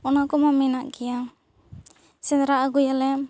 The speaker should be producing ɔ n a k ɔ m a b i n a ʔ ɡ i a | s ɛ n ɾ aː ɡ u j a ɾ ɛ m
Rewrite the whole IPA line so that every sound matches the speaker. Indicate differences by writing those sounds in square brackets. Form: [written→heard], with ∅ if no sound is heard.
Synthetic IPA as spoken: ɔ n a k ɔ m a [b→m] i n a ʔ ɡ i a | s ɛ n ɾ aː ɡ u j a [ɾ→l] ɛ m